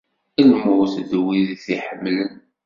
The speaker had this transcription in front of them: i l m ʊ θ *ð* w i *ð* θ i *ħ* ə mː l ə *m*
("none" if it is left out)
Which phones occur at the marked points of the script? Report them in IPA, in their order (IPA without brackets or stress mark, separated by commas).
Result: ð, ð, ħ, n